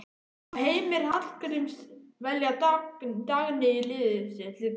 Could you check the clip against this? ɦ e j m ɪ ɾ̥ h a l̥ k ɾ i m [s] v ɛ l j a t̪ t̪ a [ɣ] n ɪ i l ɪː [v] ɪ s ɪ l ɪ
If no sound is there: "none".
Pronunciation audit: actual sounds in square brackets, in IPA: s, ɣ, ð

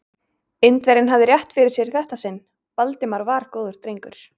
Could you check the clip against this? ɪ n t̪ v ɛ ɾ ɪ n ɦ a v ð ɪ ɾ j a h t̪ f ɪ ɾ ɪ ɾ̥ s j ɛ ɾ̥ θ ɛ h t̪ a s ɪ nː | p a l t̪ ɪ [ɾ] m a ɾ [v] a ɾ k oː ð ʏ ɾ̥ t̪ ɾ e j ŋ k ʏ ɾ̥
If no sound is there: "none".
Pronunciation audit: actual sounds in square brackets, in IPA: none, v

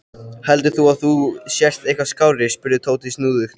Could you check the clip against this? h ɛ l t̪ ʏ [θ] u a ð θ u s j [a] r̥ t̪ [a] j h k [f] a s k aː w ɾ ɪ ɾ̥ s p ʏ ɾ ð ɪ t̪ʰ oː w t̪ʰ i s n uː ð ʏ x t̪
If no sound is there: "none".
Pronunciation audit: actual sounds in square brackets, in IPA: θ, ɛ, e, v

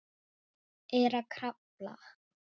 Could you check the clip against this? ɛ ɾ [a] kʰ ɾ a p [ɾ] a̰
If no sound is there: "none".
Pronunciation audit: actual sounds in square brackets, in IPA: a, l

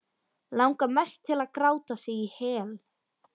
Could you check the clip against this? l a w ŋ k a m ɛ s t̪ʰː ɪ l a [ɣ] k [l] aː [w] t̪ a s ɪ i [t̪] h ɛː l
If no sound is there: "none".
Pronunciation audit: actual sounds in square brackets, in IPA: ð, ɾ, w, none

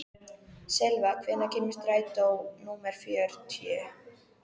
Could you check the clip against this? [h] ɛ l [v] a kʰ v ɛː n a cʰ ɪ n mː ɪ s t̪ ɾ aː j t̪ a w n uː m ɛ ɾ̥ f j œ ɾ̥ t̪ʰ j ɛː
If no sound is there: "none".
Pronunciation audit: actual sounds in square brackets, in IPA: s, v

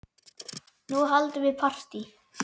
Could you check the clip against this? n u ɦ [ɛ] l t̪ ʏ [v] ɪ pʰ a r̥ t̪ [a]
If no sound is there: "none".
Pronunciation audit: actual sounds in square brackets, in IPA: a, v, i

